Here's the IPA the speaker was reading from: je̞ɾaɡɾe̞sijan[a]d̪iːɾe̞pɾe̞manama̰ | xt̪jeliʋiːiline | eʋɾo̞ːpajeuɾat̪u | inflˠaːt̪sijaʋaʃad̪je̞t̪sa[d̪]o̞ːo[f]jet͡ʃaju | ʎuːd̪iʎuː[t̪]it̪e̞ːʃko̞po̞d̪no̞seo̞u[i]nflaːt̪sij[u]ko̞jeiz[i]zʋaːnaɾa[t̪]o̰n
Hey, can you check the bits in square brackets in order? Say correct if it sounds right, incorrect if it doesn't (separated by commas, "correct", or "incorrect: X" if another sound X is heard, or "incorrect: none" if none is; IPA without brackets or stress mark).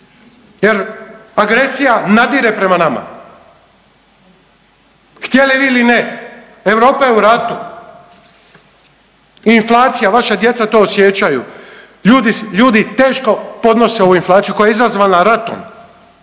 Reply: correct, incorrect: t̪, incorrect: s, incorrect: d̪, correct, correct, incorrect: a, correct